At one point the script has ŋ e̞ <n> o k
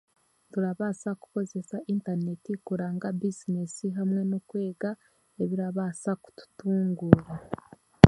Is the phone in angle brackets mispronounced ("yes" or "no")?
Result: no